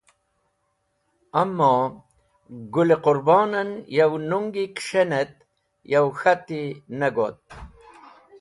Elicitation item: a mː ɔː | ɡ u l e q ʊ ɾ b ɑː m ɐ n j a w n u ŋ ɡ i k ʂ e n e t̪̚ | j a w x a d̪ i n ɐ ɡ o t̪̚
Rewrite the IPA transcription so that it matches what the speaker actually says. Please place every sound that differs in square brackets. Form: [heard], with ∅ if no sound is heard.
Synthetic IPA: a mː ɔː | ɡ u l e q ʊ ɾ b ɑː [n] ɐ n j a w n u ŋ ɡ i k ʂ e n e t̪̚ | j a w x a [t̪] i n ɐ ɡ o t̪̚